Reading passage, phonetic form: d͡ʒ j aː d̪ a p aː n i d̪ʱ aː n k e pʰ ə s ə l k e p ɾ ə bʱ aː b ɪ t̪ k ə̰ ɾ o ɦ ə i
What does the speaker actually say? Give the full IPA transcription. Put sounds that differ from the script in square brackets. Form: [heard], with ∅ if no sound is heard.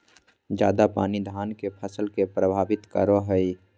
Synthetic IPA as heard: d͡ʒ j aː d̪ a p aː n i d̪ʱ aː n k e pʰ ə s ə l k e p ɾ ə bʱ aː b ɪ t̪ k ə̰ ɾ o ɦ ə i